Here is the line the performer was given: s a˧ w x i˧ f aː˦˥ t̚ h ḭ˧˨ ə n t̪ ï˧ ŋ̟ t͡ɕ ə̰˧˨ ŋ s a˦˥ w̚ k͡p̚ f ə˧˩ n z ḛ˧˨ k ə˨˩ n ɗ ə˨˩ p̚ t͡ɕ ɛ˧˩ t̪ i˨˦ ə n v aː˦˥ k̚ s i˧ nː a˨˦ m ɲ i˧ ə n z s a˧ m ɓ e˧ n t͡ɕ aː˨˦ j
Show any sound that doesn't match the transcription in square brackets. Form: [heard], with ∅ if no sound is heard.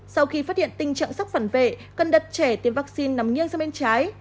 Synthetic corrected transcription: s a˧ w x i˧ f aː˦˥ t̚ h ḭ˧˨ ə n t̪ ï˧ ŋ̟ t͡ɕ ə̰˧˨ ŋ s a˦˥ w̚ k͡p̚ f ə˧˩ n [v] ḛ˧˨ k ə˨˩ n ɗ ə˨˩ [t̚] t͡ɕ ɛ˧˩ t̪ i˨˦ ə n v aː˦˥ k̚ s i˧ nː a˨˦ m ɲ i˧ ə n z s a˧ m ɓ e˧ n t͡ɕ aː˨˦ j